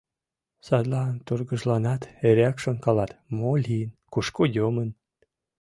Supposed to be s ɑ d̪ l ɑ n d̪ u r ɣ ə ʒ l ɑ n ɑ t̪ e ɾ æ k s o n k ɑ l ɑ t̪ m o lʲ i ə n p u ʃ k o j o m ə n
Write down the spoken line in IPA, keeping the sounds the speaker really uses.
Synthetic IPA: s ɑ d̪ l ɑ n t̪ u r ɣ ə ʒ l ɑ n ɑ t̪ e ɾ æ k ʃ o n k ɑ l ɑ t̪ m o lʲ i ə n k u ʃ k o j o m ə n